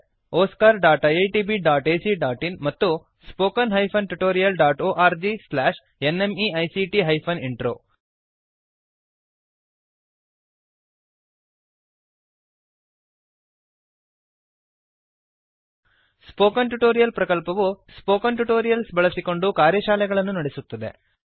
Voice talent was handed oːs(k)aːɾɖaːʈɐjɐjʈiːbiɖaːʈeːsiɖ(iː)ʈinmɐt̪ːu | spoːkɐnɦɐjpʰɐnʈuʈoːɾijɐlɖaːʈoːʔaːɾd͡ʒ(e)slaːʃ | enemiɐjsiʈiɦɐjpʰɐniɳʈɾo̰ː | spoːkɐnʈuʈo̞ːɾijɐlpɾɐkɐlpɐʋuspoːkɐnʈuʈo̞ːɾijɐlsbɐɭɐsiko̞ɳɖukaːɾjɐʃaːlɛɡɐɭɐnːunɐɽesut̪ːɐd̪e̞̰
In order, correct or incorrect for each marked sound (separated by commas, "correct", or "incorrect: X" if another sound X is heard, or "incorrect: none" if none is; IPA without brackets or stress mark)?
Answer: correct, incorrect: aː, incorrect: i